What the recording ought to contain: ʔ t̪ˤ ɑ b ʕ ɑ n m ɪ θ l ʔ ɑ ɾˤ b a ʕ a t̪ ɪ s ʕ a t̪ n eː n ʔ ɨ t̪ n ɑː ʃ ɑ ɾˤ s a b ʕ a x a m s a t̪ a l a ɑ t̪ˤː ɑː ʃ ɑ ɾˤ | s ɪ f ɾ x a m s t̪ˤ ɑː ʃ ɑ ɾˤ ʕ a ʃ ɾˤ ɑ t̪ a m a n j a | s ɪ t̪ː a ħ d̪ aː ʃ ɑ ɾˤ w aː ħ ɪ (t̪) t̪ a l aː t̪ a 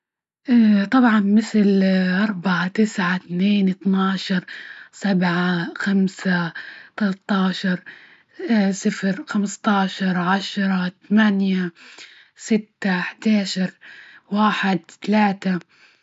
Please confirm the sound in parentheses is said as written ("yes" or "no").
no